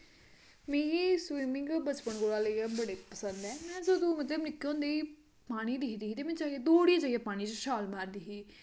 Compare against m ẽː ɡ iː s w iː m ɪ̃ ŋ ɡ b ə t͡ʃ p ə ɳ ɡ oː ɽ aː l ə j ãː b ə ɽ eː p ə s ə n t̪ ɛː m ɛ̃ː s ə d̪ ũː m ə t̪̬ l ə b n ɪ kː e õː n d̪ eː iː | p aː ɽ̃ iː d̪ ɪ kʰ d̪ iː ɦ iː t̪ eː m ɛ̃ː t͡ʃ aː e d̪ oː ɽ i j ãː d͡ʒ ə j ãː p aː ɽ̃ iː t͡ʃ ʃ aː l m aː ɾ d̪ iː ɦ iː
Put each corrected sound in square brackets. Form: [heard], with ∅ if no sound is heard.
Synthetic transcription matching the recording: m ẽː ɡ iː s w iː m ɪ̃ ŋ ɡ b ə t͡ʃ p ə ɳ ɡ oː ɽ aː l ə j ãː b ə ɽ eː p ə s ə n [d̪] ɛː m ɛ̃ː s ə d̪ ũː m ə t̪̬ l ə b n ɪ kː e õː n d̪ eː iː | p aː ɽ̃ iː d̪ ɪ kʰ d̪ iː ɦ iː t̪ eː m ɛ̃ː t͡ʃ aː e d̪ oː ɽ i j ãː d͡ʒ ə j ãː p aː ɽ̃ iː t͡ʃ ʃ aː l m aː ɾ d̪ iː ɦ iː